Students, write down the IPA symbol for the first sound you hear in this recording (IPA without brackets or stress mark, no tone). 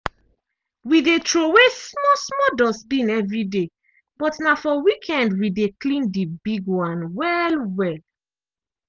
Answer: w